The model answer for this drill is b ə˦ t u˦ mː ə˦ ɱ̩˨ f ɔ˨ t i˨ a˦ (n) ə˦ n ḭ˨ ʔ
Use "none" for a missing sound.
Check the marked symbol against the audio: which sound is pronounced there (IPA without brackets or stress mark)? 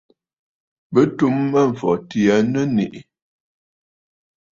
n